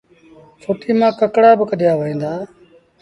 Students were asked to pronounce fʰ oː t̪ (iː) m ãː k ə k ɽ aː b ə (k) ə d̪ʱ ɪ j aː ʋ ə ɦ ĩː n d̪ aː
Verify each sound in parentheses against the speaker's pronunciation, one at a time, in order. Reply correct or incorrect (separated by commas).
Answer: correct, correct